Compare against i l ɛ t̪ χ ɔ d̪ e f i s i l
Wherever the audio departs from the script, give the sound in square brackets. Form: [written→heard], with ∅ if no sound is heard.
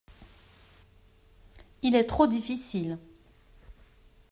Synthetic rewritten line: i l ɛ t̪ χ [ɔ→o] d̪ [e→i] f i s i l